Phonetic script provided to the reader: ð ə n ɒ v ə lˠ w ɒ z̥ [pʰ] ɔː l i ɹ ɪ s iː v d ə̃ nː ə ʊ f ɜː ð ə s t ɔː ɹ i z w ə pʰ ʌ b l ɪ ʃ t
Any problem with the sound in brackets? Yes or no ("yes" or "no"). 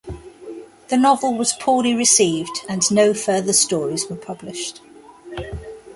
no